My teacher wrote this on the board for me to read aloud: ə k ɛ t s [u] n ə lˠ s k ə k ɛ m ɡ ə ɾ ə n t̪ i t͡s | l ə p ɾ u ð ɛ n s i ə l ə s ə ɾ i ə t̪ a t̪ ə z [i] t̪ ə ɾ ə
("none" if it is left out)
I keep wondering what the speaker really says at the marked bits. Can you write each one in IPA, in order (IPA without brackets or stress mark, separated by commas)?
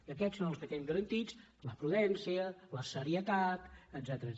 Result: o, ɛ